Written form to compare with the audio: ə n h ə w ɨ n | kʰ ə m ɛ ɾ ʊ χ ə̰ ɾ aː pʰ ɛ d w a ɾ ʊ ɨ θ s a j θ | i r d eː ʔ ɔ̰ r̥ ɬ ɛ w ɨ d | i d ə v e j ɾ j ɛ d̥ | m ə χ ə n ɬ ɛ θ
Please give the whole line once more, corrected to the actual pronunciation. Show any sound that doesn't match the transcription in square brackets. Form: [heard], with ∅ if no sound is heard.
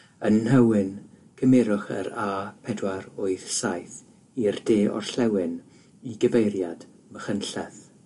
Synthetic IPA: ə n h ə w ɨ n | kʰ ə m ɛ ɾ ʊ χ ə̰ ɾ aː pʰ ɛ d w a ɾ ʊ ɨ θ s a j θ | i r d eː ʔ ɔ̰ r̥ ɬ ɛ w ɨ [n] | i [ɡ] ə v e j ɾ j [a] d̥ | m ə χ ə n ɬ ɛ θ